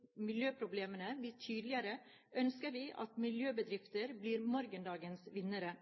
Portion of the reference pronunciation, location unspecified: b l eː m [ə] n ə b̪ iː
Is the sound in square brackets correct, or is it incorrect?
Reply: correct